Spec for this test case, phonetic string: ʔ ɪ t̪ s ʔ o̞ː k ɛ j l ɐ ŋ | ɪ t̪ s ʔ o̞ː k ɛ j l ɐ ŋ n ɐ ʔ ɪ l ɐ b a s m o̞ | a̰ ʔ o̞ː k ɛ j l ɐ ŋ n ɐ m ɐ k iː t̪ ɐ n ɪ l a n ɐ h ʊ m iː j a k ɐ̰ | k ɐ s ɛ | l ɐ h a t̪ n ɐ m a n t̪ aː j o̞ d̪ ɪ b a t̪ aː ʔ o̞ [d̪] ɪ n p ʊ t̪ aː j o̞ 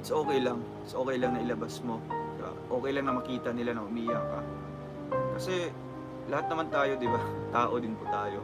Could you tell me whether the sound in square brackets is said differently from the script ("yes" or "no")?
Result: no